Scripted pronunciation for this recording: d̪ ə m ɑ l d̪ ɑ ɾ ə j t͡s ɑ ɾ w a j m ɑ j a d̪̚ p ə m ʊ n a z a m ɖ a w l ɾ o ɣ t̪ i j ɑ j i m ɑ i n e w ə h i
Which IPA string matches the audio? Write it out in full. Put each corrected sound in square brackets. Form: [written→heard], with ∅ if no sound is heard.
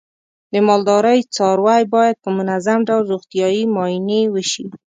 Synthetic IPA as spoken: d̪ ə m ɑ l d̪ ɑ ɾ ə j t͡s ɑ ɾ w a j [m→b] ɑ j a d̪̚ p ə m ʊ n a z a m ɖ a w l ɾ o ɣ t̪ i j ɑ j i m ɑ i n e w ə [h→ʃ] i